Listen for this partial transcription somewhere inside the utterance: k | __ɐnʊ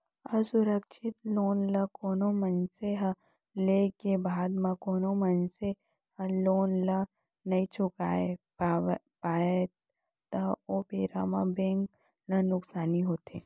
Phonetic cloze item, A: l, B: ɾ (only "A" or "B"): A